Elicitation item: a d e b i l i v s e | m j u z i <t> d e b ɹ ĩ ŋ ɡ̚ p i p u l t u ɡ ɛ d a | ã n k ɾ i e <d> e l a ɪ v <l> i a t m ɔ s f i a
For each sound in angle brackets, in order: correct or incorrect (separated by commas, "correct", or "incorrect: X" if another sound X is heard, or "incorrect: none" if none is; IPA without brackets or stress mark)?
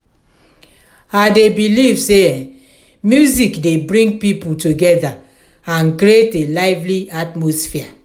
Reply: incorrect: k, incorrect: t, correct